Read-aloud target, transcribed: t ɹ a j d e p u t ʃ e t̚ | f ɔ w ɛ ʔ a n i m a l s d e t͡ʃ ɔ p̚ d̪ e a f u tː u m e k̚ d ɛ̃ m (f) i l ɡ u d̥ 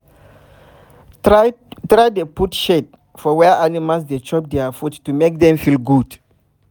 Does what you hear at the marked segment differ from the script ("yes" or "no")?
no